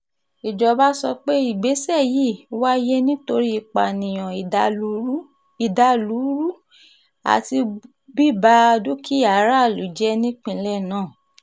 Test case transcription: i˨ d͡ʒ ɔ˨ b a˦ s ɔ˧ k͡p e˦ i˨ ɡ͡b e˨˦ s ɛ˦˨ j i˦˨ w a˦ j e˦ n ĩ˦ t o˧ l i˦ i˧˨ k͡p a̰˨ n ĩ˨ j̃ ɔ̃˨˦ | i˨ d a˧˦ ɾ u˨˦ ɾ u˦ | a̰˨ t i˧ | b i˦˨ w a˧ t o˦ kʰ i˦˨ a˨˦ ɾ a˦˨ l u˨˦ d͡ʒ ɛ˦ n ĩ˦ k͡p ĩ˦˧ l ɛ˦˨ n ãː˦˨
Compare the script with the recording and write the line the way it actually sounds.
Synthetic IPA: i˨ d͡ʒ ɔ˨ b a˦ s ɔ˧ k͡p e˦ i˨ ɡ͡b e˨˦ s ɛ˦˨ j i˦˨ w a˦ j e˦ n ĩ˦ t o˧ ɾ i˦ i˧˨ k͡p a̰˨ n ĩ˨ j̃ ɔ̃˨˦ | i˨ d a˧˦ l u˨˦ ɾ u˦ | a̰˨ t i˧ | b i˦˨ b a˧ d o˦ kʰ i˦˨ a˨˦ ɾ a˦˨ l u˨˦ d͡ʒ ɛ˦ n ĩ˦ k͡p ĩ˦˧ l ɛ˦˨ n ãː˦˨